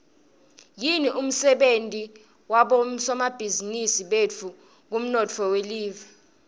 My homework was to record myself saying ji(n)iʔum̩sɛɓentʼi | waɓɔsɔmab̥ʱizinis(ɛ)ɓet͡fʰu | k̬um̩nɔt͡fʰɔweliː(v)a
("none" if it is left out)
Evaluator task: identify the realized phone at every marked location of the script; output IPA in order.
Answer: n, i, v

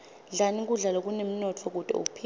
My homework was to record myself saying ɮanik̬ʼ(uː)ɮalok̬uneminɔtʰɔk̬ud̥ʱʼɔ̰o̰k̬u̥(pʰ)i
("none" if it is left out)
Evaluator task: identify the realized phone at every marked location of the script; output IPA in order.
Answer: u, pʰ

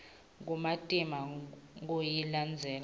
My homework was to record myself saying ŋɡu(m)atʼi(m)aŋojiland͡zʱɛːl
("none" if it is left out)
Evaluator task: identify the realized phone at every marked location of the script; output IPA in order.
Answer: m, m

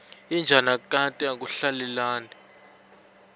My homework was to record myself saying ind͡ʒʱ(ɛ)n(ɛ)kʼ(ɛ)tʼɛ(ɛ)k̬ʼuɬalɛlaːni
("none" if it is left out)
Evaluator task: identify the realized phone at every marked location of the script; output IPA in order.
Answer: a, a, a, a

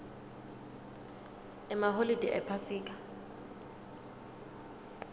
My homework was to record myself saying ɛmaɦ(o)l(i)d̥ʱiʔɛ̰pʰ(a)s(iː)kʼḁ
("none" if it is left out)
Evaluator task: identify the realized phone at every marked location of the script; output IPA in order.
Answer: o, i, a, iː

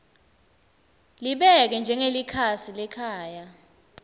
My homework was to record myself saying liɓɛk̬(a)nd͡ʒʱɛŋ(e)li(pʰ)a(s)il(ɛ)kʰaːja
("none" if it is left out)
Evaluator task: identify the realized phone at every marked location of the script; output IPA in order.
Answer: ɛ, e, kʰ, s, ɛ

